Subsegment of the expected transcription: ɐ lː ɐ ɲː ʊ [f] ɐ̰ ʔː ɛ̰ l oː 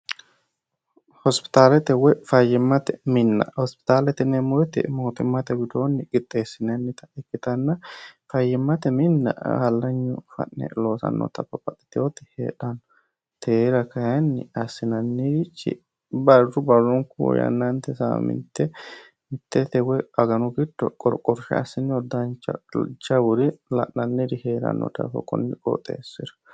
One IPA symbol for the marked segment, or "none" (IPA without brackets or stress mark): f